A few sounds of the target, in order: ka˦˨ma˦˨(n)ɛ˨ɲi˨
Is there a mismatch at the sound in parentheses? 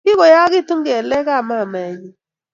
yes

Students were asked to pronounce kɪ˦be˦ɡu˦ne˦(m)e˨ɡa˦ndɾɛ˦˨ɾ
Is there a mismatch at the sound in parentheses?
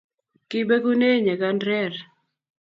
yes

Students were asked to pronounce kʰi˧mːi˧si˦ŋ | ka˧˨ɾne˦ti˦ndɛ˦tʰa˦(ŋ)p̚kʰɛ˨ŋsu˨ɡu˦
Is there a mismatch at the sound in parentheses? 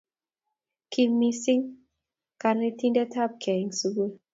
yes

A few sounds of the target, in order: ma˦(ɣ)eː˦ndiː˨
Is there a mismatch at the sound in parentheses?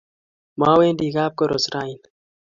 yes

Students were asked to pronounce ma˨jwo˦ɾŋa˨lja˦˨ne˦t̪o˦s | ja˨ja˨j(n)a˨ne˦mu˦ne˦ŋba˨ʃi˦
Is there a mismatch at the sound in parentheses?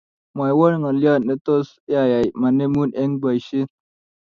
yes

